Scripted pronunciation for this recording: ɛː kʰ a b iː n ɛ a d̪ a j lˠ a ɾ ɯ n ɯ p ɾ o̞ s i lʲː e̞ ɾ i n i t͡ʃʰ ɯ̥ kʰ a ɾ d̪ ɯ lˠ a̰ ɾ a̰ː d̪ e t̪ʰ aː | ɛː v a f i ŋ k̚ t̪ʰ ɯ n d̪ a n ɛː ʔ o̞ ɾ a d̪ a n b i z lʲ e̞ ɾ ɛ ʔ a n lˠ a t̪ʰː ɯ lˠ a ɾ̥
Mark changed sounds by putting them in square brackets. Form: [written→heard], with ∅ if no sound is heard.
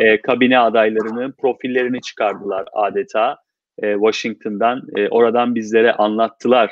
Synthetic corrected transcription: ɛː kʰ a b [iː→i] n ɛ a d̪ a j lˠ a ɾ ɯ n ɯ p ɾ o̞ [s→f] i lʲː e̞ ɾ i n i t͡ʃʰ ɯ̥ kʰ a ɾ d̪ ɯ lˠ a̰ ɾ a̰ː d̪ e t̪ʰ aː | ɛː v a [f→ʃ] i ŋ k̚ t̪ʰ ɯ n d̪ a n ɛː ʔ o̞ ɾ a d̪ a n b i z lʲ e̞ ɾ ɛ ʔ a n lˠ a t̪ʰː ɯ lˠ a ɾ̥